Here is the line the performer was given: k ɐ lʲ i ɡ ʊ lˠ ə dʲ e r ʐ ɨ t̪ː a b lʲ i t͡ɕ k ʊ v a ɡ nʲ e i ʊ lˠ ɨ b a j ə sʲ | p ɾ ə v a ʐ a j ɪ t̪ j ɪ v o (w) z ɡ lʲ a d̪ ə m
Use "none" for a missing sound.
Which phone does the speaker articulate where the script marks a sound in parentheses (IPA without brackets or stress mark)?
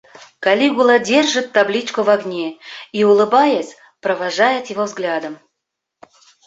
v